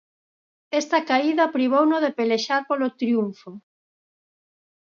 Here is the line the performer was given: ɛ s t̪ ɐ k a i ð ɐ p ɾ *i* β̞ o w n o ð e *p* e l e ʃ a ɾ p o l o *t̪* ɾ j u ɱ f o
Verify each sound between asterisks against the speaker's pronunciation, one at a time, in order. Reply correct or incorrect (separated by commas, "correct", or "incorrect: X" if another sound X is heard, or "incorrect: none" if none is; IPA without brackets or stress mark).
correct, correct, correct